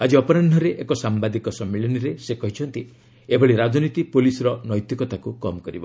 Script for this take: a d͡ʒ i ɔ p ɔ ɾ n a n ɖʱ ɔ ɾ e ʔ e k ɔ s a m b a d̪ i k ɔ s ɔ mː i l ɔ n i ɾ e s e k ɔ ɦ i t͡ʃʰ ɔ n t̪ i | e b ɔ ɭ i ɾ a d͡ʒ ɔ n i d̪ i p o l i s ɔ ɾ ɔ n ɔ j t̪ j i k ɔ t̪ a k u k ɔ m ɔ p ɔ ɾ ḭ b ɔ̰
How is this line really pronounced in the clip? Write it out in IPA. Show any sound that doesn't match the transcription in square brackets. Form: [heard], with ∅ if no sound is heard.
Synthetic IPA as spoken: a d͡ʒ i ɔ p ɔ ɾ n a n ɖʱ ɔ ɾ e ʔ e k ɔ s a m b a d̪ i k ɔ s ɔ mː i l ɔ n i ɾ e s e k ɔ ɦ i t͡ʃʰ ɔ n t̪ i | e b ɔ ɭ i ɾ a d͡ʒ ɔ n i [t̪] i p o l i s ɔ ɾ ɔ n ɔ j t̪ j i k ɔ t̪ a k u k ɔ m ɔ [k] ɔ ɾ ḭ b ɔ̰